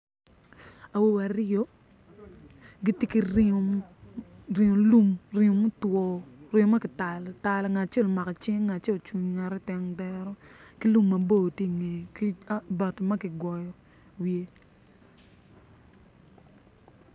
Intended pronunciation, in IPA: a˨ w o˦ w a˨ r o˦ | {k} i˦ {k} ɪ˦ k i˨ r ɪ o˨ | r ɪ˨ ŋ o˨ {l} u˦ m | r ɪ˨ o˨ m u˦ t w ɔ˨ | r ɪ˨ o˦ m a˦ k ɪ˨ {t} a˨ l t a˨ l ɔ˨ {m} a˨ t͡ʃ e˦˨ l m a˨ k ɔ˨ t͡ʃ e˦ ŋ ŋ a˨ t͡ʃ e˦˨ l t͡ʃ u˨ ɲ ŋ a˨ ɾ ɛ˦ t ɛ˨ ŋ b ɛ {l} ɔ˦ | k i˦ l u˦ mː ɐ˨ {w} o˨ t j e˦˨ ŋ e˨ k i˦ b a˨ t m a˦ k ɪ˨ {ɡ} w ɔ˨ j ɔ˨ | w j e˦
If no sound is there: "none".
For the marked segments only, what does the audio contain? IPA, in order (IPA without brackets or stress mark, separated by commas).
ɡ, t, l, t, ŋ, ɾ, b, ɡ